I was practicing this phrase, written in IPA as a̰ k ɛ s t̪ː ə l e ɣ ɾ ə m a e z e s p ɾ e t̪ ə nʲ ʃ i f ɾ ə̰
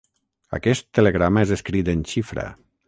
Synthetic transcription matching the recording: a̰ k ɛ s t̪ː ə l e ɣ ɾ a m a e z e s k ɾ i t̪ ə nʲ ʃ i f ɾ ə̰

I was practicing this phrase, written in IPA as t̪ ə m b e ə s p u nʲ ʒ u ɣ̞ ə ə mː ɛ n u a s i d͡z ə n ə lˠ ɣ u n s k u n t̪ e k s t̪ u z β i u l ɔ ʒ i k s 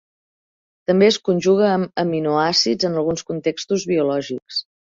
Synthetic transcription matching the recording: t̪ ə m b e ə s k u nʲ ʒ u ɣ̞ ə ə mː i n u a s i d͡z ə n ə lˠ ɣ u n s k u n t̪ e k s t̪ u z β i u l ɔ ʒ i k s

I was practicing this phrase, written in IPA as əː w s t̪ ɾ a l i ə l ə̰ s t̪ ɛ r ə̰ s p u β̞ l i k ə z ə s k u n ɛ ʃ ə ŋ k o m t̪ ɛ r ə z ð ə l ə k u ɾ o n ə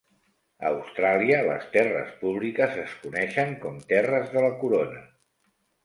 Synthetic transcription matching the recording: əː w s t̪ ɾ a l i ə l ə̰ s t̪ ɛ r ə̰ s p u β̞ l i k ə z ə s k u n ɛ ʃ ə ŋ k ɔ m t̪ ɛ r ə z ð ə l ə k u ɾ o n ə

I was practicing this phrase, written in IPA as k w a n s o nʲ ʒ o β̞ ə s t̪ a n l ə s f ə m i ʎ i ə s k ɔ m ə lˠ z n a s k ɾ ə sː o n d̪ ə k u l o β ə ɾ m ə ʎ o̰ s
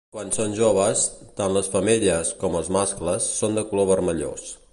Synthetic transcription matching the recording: k w a n s o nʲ ʒ o β̞ ə s t̪ a n l ə s f ə m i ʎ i ə s k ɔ m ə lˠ z m a s k l ə sː o n d̪ ə k u l o β ə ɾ m ə ʎ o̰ s

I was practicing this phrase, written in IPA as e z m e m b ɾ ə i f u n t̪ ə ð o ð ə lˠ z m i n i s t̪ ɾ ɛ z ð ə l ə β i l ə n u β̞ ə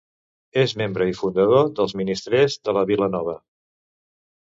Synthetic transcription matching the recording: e z m e m b ɾ ə i f u n d̪ ə ð o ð ə lˠ z m i n i s t̪ ɾ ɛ z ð ə l ə β i l ə n ɔ β̞ ə

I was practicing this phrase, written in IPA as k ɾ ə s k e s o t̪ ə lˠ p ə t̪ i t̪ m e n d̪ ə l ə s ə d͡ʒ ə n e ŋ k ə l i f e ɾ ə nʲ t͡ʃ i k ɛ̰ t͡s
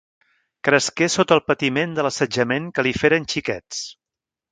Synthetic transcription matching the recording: k ɾ ə s k e s o t̪ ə lˠ p ə t̪ i m e n d̪ ə l ə s ə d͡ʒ ə m e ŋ k ə l i f e ɾ ə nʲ t͡ʃ i k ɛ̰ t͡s

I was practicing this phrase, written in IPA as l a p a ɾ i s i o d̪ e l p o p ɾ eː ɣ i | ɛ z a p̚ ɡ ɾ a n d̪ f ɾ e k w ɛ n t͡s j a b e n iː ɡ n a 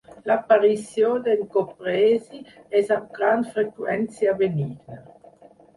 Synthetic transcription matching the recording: l a p a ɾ i s j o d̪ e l k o p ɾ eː z i | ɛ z a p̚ ɡ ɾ a n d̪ f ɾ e k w ɛ n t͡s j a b e n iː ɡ n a

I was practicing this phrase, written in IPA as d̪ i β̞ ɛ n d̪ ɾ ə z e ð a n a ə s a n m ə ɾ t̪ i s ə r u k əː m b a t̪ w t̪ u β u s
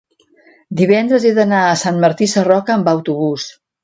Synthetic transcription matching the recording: d̪ i β̞ ɛ n d̪ ɾ ə z e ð ə n a ə s a n m ə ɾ t̪ i s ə r ɔ k əː m b a w t̪ u β u s

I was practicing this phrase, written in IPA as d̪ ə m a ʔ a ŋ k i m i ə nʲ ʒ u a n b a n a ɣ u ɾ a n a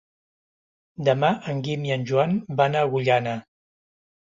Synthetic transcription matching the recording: d̪ ə m a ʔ ə ŋ ɡ i m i ə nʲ ʒ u a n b a n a ɣ u ʎ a n a

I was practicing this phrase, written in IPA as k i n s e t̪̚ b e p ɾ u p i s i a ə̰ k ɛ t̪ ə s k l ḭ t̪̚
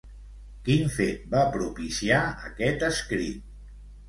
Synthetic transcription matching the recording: k i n f e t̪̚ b a p ɾ u p i s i a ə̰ k ɛ t̪ ə s k ɾ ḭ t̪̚

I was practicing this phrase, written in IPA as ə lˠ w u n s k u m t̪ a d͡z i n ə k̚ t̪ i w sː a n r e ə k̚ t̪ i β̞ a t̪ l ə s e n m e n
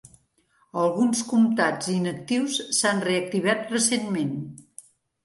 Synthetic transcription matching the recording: ə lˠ ɣ u n s k u m t̪ a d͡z i n ə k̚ t̪ i w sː a n r e ə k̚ t̪ i β̞ a t̪ r ə s e n m e n

